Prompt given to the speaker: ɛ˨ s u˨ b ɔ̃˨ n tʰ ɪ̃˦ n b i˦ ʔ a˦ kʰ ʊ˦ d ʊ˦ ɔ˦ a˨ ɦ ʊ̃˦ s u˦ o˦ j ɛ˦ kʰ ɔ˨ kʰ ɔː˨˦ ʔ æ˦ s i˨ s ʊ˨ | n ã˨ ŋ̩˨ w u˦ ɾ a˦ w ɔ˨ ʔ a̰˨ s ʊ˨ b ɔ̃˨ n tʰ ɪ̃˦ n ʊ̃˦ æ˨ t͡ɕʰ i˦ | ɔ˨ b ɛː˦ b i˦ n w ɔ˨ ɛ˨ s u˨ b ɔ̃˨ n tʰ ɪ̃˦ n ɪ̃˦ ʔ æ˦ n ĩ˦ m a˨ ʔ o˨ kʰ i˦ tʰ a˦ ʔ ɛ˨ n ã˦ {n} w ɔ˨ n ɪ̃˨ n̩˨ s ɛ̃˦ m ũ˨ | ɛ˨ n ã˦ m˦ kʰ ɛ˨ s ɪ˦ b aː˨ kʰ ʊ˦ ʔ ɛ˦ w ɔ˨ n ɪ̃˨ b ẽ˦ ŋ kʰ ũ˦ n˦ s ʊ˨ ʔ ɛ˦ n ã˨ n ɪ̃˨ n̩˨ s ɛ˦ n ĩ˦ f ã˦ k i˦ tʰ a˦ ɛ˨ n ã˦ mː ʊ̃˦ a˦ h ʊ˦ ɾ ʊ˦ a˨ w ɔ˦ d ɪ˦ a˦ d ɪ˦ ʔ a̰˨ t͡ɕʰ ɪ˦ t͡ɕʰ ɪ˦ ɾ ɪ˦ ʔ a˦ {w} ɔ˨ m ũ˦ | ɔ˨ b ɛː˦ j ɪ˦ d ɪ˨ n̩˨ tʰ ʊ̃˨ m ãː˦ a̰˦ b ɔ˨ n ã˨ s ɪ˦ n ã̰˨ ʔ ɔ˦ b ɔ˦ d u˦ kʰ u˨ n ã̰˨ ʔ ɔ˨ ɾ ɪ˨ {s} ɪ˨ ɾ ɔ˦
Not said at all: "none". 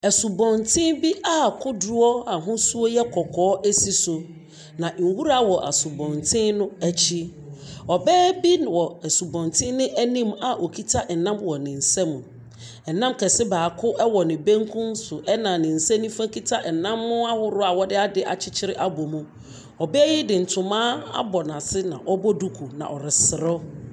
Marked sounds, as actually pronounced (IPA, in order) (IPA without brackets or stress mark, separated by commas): m, b, s